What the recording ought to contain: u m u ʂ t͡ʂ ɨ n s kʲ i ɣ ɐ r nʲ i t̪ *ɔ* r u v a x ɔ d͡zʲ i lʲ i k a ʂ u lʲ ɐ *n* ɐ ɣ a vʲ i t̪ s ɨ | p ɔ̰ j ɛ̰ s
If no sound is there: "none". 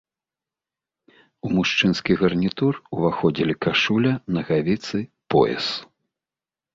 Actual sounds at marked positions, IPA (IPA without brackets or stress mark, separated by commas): u, n